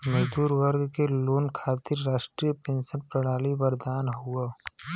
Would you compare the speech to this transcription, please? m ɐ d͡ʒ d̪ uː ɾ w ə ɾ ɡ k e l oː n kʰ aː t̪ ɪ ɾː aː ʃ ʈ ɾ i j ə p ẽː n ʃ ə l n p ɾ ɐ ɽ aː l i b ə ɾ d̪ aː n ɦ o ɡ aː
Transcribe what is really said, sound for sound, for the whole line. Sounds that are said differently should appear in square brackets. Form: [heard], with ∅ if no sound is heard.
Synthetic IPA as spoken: m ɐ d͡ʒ d̪ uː ɾ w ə ɾ ɡ k e l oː n kʰ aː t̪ ɪ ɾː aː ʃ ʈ ɾ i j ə p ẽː n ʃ ə [∅] n p ɾ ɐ ɽ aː l i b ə ɾ d̪ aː n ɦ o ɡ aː